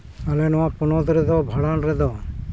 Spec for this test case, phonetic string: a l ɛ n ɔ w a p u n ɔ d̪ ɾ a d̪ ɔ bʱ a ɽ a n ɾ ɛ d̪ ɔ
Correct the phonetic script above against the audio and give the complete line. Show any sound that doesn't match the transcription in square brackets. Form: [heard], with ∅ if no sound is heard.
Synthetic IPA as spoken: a l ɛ n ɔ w a p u n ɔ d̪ ɾ [ɛ] d̪ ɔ bʱ a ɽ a n ɾ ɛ d̪ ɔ